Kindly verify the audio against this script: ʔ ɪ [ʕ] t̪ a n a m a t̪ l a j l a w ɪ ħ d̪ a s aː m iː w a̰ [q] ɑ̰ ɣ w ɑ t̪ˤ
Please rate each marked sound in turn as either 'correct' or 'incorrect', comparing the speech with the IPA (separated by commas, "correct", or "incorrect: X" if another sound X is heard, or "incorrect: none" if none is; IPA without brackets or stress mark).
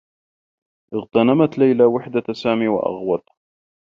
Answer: incorrect: ɣ, incorrect: ʔ